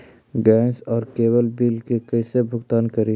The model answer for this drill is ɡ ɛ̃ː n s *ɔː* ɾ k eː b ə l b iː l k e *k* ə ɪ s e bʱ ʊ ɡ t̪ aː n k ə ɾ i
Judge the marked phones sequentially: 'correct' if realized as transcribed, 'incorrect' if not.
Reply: correct, correct

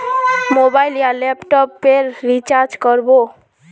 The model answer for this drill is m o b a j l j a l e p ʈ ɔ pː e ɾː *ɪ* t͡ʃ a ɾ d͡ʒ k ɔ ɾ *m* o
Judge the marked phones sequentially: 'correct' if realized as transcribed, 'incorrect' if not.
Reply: incorrect, incorrect

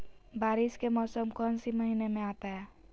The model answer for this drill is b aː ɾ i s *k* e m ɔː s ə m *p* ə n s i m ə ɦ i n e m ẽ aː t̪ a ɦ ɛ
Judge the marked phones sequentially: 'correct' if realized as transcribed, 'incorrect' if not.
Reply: correct, incorrect

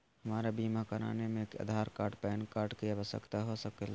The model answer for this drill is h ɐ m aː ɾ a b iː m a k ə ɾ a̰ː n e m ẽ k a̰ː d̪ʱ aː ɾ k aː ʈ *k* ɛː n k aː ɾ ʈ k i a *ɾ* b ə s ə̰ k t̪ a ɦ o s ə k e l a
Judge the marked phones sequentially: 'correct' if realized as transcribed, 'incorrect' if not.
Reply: incorrect, incorrect

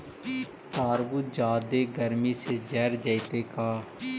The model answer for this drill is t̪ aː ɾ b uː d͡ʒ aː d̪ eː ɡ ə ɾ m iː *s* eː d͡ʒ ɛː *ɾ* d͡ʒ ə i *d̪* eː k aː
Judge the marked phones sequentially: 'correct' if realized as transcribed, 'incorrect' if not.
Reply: correct, correct, incorrect

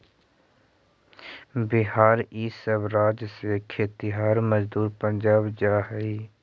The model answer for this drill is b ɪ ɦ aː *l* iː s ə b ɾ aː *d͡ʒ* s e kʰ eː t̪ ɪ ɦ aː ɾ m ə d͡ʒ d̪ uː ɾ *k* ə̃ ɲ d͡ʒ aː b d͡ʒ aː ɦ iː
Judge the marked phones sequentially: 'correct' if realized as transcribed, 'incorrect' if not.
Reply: incorrect, correct, incorrect

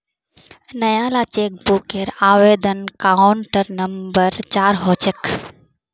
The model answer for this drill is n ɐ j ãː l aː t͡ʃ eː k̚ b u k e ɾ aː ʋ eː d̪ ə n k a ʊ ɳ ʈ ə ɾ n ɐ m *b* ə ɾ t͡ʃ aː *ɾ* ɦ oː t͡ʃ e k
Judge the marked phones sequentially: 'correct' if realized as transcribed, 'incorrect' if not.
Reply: correct, correct

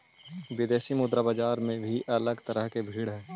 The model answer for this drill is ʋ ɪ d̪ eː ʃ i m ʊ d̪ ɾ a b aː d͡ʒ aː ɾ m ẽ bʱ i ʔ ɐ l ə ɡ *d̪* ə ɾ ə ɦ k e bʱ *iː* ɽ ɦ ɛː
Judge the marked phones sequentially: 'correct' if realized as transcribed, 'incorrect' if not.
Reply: incorrect, correct

